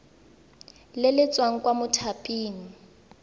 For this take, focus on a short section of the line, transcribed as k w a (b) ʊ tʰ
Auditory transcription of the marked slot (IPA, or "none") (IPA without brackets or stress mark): m